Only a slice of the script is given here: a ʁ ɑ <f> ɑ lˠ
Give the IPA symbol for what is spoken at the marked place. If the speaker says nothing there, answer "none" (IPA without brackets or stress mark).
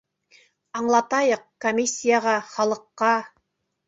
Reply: χ